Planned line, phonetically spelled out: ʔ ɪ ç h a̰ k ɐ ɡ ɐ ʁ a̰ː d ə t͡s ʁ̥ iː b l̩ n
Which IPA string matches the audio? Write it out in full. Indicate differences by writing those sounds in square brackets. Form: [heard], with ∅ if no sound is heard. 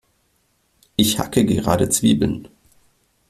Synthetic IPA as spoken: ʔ ɪ ç h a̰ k [ə] ɡ [ə] ʁ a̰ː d ə t͡s [v̥] iː b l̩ n